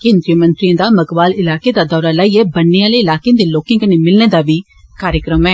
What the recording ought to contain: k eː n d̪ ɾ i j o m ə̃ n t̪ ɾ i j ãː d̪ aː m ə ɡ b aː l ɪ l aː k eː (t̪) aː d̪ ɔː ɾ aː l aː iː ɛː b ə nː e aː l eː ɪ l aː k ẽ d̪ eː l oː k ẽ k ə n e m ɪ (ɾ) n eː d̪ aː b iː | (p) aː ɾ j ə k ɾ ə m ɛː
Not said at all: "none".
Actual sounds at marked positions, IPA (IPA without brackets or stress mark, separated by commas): d̪, l, k